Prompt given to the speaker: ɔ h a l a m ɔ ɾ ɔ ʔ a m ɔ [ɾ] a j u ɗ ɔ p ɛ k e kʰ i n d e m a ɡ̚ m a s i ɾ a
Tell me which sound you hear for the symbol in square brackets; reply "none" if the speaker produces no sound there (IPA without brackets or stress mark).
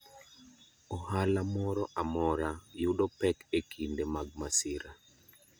ɾ